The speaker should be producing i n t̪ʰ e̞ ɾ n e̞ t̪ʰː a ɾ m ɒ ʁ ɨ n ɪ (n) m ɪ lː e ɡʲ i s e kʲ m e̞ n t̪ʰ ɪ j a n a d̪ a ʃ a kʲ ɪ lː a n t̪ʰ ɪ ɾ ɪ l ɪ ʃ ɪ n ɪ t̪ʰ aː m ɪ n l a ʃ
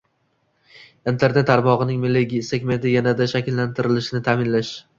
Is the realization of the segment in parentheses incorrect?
yes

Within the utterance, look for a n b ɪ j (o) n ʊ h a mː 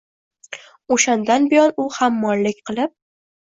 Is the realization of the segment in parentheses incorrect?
yes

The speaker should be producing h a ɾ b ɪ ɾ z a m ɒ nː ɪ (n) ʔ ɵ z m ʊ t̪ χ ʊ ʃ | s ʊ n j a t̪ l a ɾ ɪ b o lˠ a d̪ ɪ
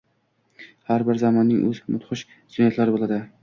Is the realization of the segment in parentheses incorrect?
yes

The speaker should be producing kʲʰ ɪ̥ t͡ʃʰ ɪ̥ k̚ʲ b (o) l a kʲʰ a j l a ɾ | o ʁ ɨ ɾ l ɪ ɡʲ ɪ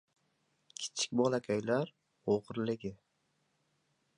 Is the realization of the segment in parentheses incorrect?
yes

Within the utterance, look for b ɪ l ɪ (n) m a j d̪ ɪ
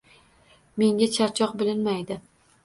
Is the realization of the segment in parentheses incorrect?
no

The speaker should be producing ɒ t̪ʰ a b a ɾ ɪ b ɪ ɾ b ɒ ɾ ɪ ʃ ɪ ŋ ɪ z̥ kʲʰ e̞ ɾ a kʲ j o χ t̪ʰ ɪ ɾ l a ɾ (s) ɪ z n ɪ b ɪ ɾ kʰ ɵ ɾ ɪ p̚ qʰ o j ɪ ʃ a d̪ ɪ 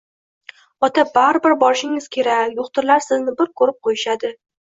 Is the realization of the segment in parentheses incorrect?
no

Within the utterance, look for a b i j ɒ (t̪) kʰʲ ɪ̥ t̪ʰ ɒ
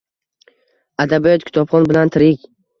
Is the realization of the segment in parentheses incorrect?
no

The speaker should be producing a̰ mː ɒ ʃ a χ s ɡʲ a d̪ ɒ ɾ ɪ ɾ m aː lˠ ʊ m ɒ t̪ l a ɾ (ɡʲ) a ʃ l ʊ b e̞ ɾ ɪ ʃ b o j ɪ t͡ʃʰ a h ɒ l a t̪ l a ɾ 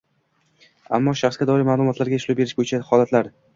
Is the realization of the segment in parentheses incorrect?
no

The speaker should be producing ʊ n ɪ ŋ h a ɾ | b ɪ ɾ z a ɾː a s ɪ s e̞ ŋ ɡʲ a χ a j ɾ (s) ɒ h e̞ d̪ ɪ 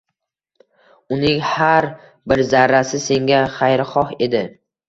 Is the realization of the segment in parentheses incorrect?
yes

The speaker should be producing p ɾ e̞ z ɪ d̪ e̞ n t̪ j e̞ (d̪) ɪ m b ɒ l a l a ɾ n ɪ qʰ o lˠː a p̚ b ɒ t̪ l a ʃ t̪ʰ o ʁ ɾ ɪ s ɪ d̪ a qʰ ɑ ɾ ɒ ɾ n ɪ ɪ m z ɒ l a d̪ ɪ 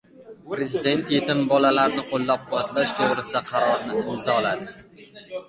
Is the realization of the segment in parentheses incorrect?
yes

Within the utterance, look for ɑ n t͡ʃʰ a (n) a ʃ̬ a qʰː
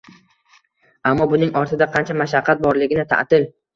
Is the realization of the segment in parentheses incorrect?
yes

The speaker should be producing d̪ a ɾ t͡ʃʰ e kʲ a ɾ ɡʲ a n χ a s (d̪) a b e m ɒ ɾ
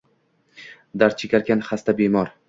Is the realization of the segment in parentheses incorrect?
yes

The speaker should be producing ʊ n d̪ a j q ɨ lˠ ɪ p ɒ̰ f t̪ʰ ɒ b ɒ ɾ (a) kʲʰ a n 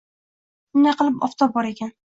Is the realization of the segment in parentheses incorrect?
yes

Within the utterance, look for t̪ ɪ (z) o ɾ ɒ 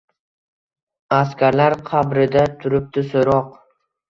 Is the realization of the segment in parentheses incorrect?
yes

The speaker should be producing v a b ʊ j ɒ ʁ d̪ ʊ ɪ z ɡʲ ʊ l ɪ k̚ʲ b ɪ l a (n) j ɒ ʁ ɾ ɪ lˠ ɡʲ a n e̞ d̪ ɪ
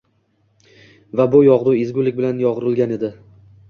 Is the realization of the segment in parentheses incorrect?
no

